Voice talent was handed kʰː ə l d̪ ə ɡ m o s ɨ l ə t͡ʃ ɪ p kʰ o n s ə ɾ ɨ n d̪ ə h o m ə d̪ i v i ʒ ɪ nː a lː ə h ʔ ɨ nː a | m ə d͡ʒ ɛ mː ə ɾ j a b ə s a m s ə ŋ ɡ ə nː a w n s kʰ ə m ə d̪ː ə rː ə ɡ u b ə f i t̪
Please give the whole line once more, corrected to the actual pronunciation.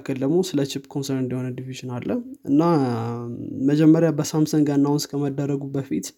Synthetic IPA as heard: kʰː ə l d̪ ə ɡ m o s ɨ l ə t͡ʃ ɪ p kʰ o n s ə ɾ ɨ n d̪ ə h o n ə d̪ i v i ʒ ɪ n a lː ə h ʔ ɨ nː a | m ə d͡ʒ ɛ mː ə ɾ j a b ə s a m s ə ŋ ɡ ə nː a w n s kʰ ə m ə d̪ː ə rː ə ɡ u b ə f i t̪